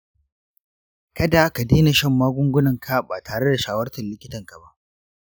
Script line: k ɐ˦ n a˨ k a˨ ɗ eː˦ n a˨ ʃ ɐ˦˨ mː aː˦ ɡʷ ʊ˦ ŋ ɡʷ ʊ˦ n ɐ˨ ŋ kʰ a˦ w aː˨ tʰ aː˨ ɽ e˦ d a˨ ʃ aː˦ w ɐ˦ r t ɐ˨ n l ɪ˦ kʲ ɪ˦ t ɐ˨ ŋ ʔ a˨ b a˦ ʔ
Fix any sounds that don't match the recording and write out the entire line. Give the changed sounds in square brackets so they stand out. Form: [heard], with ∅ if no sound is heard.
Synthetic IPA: k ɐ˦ [d] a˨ k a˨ [d] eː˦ n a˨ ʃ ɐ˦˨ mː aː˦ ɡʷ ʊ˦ ŋ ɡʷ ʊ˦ n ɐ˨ ŋ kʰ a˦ [b] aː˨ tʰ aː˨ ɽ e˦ d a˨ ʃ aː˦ w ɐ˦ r t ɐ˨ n l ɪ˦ kʲ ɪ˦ t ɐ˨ ŋ [k] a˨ b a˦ ʔ

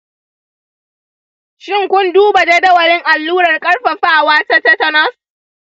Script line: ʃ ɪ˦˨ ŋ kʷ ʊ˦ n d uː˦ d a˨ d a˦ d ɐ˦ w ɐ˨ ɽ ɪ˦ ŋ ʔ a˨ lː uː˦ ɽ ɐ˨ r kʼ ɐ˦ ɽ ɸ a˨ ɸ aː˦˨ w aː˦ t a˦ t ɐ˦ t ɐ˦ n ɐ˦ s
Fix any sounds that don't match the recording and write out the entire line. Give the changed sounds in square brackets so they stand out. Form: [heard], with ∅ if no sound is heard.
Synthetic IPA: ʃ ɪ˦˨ ŋ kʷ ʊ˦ n d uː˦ [b] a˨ d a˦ d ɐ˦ w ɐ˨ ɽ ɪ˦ ŋ ʔ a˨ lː uː˦ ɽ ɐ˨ r kʼ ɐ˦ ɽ ɸ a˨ ɸ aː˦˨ w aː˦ t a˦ t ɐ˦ t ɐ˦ n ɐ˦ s

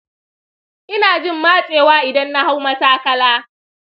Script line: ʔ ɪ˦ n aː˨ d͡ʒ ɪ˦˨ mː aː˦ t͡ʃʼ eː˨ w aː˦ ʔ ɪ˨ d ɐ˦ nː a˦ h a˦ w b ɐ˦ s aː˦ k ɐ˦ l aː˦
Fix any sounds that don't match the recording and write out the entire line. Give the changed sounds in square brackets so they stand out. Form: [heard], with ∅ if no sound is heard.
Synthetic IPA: ʔ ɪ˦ n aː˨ d͡ʒ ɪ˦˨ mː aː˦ t͡ʃʼ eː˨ w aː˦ ʔ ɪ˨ d ɐ˦ nː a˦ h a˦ w [m] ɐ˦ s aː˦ k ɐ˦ l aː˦

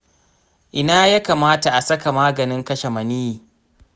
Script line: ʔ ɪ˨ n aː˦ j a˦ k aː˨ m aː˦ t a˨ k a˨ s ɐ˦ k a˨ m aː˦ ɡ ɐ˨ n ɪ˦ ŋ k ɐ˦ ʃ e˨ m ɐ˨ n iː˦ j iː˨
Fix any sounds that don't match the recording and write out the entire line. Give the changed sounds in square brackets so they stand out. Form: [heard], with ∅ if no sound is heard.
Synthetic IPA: ʔ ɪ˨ n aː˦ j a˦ k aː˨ m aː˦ t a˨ [ʔ] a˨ s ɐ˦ k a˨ m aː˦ ɡ ɐ˨ n ɪ˦ ŋ k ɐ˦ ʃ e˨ m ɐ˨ n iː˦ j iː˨

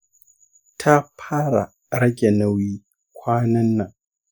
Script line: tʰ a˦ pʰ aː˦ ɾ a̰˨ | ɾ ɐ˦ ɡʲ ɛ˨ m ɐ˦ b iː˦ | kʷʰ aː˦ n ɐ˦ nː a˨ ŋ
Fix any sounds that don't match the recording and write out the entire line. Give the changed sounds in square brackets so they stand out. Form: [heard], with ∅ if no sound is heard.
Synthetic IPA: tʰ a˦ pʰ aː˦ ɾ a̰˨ | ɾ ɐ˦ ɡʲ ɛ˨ [n] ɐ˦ [w] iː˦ | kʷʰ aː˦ n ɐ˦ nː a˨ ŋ

